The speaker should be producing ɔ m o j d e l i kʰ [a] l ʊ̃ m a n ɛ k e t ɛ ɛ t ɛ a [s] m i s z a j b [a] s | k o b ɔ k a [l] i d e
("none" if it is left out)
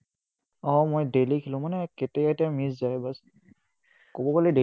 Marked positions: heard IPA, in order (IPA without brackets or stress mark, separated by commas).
i, none, a, l